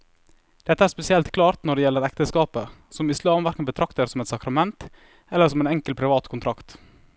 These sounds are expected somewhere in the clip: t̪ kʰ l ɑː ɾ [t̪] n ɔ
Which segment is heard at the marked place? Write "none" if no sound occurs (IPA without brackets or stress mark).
t̪